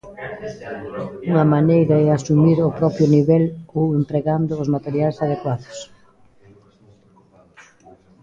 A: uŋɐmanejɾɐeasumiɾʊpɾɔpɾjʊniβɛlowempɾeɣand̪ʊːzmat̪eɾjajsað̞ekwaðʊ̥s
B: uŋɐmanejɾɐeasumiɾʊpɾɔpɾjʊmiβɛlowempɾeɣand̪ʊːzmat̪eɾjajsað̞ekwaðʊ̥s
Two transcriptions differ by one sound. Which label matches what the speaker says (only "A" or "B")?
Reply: A